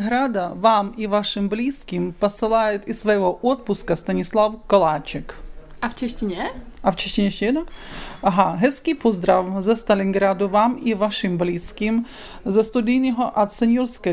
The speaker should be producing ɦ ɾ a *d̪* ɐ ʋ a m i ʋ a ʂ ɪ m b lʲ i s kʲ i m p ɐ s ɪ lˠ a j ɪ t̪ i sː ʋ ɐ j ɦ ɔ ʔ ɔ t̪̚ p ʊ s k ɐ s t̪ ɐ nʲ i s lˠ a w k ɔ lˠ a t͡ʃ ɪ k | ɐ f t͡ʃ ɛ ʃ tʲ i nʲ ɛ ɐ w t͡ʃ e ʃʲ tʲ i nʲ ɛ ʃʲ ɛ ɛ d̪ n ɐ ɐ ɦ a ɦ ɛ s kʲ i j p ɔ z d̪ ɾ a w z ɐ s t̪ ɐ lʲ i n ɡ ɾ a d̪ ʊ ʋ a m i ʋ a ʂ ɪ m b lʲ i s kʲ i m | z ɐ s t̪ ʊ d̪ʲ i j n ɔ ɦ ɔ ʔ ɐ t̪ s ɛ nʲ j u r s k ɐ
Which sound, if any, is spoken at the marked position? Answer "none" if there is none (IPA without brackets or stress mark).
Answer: d̪